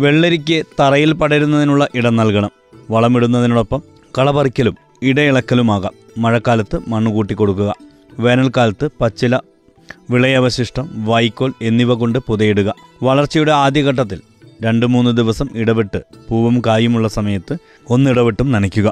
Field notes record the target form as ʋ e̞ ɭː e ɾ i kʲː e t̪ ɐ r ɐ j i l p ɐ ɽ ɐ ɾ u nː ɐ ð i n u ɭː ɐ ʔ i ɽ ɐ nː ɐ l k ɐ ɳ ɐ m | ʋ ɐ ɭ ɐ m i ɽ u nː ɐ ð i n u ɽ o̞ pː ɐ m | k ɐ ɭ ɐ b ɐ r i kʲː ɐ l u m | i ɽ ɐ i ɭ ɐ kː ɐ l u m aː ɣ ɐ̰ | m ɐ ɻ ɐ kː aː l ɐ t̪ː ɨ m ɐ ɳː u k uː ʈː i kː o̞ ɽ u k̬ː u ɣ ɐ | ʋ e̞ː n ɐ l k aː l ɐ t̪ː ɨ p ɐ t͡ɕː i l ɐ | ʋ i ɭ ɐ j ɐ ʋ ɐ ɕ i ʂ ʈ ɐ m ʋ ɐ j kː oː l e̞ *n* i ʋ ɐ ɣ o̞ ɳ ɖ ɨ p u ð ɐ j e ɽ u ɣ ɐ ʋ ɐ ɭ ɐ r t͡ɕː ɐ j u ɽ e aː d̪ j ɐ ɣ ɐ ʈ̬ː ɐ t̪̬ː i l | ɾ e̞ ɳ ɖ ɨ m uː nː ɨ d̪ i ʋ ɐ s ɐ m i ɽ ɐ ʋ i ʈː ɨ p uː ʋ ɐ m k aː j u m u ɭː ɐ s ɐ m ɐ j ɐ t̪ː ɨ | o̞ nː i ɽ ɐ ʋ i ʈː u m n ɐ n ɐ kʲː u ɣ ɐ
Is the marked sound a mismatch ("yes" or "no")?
yes